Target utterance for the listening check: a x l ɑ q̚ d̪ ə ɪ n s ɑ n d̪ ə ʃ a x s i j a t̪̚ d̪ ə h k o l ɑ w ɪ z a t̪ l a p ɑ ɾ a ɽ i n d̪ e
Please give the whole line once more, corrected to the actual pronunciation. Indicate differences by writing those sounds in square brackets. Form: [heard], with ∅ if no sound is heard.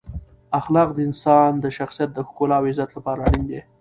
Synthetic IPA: a x l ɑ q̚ d̪ ə ɪ n s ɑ n d̪ ə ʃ a x s i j a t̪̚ d̪ ə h k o l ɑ w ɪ z a t̪ l a p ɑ ɾ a ɽ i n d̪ e

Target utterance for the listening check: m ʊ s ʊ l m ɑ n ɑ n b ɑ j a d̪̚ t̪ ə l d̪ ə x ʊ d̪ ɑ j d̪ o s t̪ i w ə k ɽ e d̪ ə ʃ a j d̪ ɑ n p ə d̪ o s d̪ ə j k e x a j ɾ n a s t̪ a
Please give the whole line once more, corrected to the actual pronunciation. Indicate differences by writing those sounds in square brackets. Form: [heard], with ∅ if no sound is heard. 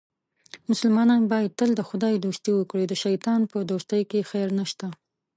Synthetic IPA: m ʊ s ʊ l m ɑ n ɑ n b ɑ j a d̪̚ t̪ ə l d̪ ə x ʊ d̪ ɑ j d̪ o s t̪ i w ə k ɽ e d̪ ə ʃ a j [t̪] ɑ n p ə d̪ o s [t̪] ə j k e x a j ɾ n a [ʃ] t̪ a

